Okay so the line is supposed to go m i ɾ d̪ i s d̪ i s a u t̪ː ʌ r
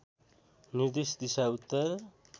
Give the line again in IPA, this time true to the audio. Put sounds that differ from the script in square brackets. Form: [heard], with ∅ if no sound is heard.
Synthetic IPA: [n] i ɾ d̪ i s d̪ i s a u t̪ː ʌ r